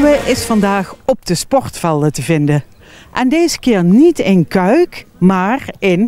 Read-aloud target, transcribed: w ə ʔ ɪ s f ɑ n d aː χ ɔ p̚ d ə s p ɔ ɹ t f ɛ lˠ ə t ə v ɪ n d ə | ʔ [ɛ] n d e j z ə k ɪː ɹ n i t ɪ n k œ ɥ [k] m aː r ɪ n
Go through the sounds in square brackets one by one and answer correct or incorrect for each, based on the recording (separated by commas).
correct, correct